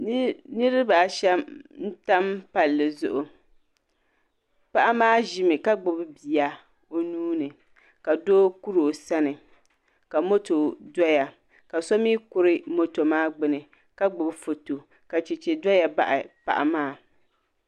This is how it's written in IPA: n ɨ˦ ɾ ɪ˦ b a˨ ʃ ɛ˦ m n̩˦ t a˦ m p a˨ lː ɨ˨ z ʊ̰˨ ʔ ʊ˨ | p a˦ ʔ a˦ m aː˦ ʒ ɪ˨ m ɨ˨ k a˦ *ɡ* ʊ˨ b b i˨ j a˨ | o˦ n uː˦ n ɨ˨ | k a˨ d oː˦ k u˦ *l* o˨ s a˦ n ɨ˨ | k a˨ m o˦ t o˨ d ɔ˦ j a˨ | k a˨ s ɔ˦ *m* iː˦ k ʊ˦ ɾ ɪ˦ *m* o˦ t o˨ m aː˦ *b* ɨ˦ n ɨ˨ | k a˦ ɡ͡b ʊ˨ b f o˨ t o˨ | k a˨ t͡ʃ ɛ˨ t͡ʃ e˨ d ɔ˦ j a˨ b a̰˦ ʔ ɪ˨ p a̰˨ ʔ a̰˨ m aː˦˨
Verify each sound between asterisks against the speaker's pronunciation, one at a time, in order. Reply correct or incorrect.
incorrect, incorrect, correct, correct, incorrect

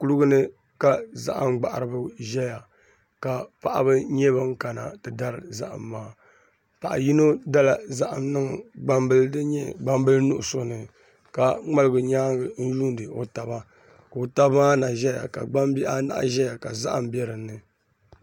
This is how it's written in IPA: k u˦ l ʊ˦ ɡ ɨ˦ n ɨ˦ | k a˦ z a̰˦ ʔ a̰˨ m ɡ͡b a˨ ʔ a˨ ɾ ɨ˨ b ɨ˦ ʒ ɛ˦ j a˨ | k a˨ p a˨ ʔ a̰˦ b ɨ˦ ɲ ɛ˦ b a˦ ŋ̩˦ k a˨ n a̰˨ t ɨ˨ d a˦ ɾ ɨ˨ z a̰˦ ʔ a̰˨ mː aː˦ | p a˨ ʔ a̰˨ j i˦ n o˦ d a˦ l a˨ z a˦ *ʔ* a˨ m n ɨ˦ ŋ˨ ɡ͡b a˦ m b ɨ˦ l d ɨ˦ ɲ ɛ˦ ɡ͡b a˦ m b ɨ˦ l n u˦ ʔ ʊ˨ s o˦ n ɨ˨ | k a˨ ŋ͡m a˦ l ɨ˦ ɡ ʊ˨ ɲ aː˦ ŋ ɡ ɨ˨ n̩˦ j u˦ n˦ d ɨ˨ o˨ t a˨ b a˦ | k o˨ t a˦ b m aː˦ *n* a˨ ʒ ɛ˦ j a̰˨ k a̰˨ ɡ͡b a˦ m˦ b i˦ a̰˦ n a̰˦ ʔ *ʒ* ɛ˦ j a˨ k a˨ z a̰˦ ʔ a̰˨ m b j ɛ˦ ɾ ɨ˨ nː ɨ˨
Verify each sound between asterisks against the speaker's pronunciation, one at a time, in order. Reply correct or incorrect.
correct, correct, correct

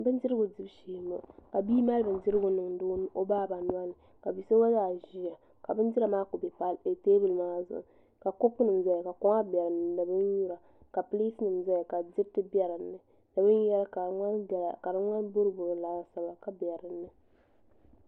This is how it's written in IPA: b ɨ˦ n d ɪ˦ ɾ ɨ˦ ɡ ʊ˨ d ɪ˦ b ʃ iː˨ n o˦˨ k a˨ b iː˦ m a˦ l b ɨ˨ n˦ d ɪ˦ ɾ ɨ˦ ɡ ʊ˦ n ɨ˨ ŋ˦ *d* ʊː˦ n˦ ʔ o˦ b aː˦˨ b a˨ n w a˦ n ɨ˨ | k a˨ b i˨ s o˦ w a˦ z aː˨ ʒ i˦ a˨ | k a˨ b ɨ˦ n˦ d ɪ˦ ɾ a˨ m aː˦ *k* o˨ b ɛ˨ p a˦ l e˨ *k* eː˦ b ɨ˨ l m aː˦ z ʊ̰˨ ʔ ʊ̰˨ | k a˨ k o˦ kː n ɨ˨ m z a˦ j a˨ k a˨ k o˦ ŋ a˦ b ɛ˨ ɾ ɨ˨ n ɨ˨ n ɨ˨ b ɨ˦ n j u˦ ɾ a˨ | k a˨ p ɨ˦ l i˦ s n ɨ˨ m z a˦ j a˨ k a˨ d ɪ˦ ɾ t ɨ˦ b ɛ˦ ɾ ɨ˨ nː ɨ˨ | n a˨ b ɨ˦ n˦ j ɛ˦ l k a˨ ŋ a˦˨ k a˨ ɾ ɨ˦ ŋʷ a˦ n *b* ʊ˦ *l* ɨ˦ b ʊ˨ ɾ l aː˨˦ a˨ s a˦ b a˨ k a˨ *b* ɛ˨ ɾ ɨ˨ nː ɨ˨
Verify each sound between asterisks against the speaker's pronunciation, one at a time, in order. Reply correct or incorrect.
correct, correct, incorrect, correct, incorrect, correct

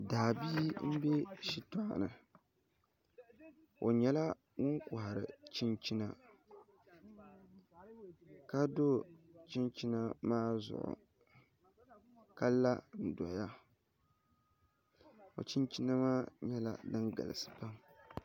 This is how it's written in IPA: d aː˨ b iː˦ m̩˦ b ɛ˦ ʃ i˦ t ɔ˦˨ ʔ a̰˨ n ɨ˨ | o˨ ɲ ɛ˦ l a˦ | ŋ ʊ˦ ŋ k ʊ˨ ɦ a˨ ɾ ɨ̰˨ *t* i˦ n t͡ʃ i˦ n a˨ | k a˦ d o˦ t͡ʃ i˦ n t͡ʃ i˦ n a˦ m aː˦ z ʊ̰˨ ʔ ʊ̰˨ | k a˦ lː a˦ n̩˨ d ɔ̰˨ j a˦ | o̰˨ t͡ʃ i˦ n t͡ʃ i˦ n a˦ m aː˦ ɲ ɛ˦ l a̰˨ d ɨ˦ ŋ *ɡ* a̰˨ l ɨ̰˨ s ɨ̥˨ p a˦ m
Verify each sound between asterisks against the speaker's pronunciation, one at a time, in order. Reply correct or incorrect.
incorrect, correct

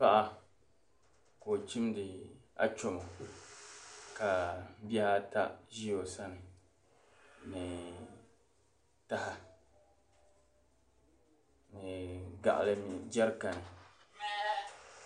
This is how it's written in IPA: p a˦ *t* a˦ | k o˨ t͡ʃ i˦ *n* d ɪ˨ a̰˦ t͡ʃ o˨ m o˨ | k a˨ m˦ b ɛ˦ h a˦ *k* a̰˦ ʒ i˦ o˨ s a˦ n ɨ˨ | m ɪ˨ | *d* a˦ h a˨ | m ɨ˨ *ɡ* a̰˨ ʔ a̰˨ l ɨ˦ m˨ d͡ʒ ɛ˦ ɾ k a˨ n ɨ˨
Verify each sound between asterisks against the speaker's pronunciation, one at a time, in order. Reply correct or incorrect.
incorrect, incorrect, incorrect, incorrect, correct

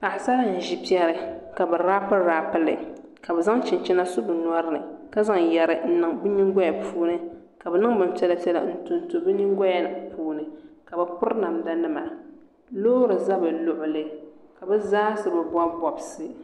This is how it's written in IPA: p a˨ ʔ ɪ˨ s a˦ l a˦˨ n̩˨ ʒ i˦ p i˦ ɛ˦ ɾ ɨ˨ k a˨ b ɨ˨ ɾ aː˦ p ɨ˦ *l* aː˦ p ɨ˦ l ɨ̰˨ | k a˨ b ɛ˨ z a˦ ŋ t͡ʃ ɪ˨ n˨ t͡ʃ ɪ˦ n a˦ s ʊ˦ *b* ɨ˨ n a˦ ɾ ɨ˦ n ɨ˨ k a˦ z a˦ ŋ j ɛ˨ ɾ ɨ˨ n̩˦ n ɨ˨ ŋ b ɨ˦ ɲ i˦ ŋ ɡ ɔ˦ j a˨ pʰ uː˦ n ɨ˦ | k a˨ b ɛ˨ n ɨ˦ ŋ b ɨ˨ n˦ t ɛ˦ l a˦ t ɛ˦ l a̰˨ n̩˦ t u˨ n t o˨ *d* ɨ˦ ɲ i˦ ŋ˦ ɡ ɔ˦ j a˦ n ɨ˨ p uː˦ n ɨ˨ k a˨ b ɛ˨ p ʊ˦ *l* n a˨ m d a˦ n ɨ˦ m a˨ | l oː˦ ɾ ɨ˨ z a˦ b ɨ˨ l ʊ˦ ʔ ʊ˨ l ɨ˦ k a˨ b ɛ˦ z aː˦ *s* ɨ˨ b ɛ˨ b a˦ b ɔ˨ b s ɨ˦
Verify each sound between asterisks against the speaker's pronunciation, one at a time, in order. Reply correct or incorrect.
incorrect, correct, incorrect, incorrect, correct

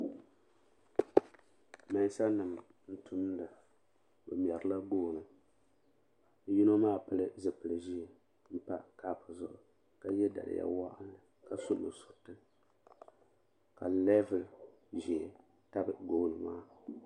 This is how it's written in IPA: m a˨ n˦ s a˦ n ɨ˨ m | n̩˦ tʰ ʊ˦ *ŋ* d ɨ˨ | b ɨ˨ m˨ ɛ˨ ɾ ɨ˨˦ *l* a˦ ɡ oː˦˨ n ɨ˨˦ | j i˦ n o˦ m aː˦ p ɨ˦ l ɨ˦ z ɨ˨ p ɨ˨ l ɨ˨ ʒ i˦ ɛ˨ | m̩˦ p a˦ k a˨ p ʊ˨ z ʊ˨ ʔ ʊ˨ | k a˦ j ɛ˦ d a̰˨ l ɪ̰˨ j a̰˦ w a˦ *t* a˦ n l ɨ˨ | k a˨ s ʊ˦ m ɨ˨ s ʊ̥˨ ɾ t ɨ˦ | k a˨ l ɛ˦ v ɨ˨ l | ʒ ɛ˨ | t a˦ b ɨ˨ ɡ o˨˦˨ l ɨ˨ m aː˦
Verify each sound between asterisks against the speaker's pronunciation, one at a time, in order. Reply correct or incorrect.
incorrect, correct, incorrect

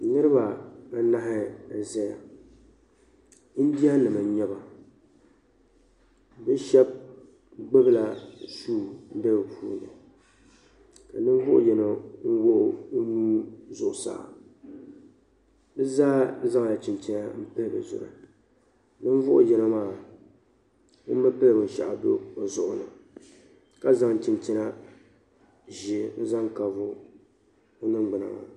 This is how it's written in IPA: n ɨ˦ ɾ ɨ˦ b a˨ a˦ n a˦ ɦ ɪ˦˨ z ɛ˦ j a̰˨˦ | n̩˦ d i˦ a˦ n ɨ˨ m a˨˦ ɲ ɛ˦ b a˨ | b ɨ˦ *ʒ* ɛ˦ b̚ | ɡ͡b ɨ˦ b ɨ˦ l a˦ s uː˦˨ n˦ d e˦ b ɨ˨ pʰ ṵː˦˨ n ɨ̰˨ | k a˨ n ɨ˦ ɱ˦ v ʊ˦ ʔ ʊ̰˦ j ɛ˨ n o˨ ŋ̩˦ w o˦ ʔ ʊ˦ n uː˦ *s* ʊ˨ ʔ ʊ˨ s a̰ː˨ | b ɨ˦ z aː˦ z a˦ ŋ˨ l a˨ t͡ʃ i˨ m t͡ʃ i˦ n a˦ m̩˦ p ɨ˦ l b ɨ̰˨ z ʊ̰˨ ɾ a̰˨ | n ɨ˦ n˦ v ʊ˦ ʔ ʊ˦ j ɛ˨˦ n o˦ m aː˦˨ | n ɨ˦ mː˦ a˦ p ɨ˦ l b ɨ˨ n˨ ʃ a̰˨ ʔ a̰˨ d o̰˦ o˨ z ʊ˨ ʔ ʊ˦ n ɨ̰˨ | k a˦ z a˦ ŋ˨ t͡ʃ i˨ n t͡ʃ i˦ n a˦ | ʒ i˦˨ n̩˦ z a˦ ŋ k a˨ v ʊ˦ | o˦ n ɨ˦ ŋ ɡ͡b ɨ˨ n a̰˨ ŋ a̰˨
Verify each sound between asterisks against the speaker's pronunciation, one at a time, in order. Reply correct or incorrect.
incorrect, incorrect

